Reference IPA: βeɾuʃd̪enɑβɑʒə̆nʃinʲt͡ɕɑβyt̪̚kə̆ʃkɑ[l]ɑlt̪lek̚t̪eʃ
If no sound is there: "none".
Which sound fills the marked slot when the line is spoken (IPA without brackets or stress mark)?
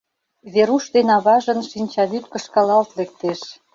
l